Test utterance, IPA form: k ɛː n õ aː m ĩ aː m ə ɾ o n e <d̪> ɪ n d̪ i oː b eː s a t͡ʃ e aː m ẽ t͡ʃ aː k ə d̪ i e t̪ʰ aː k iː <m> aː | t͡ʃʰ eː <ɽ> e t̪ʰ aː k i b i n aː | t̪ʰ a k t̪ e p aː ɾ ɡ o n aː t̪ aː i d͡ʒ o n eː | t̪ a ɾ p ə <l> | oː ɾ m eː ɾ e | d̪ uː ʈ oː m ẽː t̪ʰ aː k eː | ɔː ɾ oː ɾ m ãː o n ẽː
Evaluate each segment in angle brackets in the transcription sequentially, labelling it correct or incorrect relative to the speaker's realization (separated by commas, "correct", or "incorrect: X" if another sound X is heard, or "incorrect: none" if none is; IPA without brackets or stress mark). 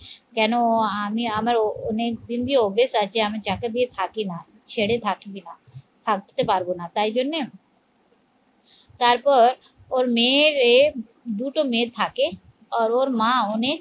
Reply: correct, incorrect: n, correct, incorrect: ɾ